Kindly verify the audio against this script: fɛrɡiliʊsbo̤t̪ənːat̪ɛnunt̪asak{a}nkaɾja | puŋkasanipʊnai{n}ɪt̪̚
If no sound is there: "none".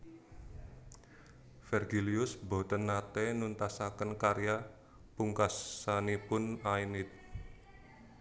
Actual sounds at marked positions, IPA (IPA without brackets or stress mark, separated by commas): ə, n